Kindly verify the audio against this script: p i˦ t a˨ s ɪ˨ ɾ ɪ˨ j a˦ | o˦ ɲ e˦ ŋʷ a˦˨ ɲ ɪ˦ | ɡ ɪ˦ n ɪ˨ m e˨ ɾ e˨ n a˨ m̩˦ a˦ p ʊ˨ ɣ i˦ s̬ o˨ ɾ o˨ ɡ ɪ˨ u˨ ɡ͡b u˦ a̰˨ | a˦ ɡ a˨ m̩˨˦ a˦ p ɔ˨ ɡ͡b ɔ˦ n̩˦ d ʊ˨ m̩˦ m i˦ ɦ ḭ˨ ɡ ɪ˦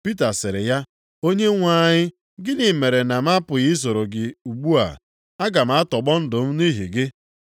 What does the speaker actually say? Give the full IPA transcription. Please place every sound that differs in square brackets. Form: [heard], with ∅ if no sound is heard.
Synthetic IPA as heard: p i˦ t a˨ s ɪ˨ ɾ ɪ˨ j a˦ | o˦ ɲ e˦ ŋʷ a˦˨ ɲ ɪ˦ | ɡ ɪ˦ n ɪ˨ m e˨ ɾ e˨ n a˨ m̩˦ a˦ p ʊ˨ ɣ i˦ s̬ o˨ ɾ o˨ ɡ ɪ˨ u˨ ɡ͡b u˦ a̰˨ | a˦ ɡ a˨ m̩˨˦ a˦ [t] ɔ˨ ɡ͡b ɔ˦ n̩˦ d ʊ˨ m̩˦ [n] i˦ ɦ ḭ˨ ɡ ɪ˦